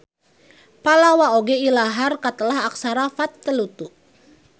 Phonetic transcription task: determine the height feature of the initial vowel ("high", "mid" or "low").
low